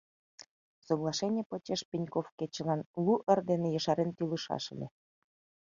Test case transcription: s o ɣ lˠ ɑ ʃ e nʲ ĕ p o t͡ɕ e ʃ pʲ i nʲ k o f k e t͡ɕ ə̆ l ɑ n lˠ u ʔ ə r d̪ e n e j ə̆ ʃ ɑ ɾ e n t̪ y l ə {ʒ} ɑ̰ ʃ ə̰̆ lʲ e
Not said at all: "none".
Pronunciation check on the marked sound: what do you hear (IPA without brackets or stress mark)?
ʃ